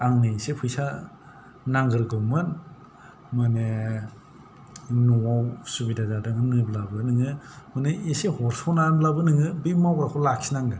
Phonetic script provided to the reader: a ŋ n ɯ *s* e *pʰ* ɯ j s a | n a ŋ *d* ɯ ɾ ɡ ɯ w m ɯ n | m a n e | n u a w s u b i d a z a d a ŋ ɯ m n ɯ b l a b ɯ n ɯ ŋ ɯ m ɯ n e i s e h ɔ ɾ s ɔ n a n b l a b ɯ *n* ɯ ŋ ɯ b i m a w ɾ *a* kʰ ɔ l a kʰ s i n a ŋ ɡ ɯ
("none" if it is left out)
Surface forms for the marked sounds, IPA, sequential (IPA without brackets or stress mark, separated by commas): s, pʰ, ɡ, n, a